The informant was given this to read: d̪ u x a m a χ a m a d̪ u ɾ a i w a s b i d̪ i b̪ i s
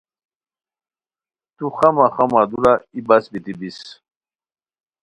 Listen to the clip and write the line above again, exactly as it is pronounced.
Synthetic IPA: t̪ u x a m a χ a m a d̪ u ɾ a i b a s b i t̪ i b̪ i s